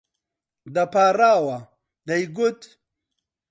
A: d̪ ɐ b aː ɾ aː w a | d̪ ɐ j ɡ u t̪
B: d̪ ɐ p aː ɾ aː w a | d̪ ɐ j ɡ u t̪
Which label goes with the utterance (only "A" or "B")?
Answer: B